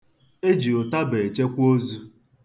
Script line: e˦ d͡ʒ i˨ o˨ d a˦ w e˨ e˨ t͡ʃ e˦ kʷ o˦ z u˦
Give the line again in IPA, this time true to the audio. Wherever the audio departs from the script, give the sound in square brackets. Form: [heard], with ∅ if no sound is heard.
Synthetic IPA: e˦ d͡ʒ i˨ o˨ [t] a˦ [b] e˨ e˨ t͡ʃ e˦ kʷ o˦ z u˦